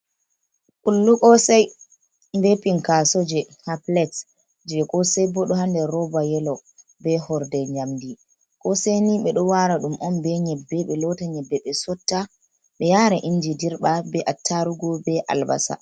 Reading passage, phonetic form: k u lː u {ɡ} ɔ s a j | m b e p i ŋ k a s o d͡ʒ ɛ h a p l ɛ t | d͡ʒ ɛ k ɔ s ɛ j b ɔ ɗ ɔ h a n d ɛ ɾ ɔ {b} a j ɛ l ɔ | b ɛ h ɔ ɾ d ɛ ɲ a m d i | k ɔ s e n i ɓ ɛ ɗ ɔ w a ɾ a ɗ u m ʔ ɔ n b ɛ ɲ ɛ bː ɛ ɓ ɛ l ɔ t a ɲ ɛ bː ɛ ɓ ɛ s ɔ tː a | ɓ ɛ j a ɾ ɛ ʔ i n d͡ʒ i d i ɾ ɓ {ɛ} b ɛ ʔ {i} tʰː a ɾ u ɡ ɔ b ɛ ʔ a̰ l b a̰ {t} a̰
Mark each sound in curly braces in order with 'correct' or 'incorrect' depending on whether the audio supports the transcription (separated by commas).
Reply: incorrect, correct, incorrect, incorrect, incorrect